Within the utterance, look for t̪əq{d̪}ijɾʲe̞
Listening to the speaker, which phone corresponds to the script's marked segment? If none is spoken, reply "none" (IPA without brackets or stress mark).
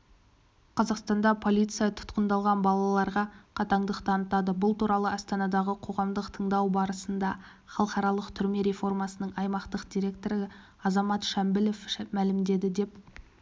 d̪